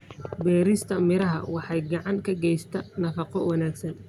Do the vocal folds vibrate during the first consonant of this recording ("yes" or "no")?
yes